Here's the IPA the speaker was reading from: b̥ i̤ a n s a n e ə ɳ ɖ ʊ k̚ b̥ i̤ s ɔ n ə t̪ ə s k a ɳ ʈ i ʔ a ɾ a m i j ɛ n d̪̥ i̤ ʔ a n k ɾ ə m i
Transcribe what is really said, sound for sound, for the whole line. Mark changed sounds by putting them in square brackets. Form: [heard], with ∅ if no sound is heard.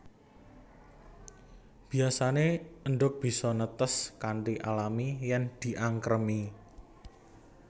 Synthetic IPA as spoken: b̥ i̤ a [∅] s a n e ə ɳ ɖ ʊ k̚ b̥ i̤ s ɔ n ə t̪ ə s k a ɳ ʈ i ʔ a [l] a m i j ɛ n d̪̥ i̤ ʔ a [ŋ] k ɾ ə m i